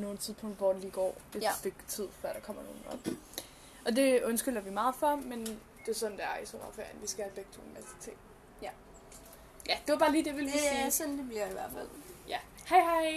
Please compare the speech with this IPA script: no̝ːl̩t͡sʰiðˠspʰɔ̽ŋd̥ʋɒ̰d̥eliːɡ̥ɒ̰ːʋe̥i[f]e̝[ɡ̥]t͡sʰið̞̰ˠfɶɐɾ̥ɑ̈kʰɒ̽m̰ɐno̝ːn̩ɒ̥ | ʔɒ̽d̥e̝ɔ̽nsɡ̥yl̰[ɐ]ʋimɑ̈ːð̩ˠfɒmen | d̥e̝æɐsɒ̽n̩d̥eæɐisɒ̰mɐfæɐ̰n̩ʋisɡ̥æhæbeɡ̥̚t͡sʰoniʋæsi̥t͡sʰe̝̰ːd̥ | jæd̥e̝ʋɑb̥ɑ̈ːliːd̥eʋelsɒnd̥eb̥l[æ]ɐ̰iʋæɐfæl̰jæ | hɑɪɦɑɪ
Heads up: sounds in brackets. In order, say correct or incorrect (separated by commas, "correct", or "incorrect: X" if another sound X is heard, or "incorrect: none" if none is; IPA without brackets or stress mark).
correct, correct, correct, incorrect: i